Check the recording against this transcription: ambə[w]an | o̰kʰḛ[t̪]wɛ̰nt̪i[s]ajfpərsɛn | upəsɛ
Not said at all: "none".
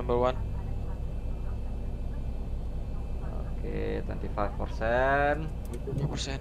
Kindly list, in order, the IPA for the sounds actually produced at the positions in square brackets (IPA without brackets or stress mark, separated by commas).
w, t̪, f